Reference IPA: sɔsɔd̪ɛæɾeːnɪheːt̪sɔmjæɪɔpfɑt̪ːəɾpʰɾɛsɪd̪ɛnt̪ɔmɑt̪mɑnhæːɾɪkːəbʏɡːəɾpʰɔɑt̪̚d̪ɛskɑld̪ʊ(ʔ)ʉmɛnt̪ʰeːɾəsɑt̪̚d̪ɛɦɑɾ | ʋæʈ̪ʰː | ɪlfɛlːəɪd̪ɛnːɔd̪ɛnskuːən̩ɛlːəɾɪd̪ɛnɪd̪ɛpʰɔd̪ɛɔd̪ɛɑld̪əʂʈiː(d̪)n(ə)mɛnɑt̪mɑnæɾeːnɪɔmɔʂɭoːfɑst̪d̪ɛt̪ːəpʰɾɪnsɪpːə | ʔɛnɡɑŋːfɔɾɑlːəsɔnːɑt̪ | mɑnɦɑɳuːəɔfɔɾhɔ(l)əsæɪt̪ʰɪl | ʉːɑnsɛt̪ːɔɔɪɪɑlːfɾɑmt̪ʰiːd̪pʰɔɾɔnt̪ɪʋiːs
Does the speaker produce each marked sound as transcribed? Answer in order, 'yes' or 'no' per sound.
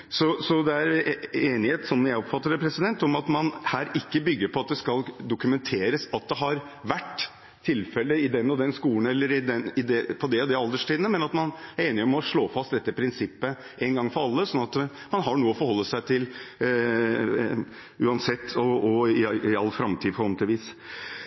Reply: no, yes, yes, no

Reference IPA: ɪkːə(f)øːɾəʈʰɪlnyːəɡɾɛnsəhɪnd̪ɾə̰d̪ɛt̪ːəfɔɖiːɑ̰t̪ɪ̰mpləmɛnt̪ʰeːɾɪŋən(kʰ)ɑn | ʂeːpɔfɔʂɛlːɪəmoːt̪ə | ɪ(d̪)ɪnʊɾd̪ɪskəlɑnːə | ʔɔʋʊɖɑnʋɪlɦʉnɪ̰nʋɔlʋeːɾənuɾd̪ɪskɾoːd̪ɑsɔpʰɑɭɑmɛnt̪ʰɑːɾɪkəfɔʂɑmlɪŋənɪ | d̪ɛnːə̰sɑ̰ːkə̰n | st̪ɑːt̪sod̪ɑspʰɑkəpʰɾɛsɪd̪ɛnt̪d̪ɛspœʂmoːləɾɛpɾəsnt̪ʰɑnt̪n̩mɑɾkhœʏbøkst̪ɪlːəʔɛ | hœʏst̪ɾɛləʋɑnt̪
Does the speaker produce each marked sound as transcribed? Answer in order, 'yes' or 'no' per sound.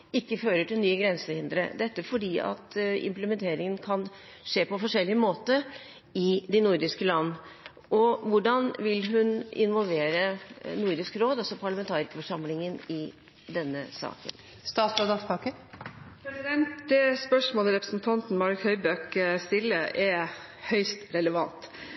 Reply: yes, yes, yes

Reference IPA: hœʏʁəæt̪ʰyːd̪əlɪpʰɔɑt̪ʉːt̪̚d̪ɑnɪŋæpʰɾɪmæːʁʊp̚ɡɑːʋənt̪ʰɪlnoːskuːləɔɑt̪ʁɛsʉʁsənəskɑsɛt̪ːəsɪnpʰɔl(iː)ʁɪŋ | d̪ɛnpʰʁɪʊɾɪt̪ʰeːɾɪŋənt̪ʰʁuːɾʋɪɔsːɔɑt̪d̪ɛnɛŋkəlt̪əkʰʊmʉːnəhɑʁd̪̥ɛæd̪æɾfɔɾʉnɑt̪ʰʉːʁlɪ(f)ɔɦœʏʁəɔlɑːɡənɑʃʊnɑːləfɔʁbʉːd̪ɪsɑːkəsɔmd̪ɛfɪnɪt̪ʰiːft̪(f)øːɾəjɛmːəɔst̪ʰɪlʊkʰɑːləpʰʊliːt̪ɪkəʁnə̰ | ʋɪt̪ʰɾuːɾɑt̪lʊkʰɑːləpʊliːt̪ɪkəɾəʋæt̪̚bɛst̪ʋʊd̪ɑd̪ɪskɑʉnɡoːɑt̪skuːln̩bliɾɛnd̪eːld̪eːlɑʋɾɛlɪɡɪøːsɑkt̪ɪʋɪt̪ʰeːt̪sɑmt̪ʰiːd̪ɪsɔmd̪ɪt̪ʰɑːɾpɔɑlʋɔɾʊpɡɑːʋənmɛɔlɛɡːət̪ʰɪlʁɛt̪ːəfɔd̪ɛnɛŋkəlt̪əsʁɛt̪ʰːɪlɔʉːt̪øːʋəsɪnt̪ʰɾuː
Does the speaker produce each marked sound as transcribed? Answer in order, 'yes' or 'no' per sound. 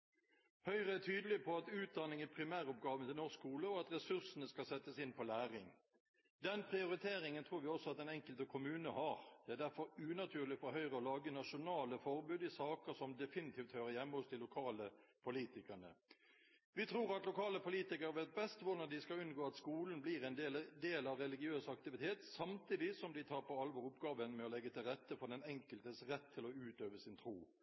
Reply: no, yes, no

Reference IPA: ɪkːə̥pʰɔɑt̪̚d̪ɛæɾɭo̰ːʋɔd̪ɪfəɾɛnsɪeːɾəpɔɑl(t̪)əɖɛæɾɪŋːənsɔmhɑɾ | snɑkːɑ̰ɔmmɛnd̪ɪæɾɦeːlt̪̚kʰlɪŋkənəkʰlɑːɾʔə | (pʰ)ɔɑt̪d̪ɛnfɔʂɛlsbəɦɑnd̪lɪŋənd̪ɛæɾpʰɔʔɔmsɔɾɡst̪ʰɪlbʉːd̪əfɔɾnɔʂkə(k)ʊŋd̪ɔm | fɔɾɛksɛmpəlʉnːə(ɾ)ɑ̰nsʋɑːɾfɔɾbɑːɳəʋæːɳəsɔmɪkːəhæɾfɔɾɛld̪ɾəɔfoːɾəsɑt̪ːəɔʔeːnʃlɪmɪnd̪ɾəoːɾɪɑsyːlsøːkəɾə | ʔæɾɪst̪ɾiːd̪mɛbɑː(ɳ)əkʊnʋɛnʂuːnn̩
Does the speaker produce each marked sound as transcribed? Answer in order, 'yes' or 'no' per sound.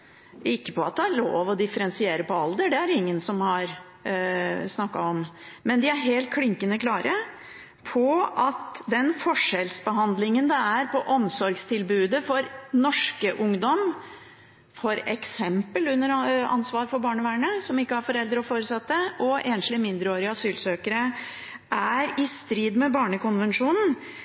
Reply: no, yes, no, yes, yes

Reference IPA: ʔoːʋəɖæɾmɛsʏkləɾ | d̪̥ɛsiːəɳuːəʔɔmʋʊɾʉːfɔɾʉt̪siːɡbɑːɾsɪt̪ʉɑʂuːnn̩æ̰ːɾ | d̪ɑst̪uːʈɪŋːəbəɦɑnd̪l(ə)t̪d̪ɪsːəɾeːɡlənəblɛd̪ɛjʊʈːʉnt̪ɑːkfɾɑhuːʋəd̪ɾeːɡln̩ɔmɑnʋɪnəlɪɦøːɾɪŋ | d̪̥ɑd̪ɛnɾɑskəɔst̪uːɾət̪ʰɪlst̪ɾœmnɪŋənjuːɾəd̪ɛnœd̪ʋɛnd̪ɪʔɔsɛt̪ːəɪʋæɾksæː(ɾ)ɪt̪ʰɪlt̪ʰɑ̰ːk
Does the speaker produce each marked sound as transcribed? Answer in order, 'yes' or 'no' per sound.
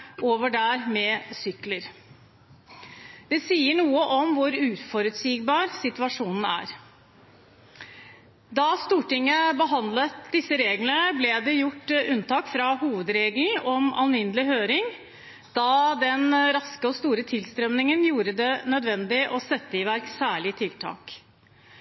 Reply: yes, no

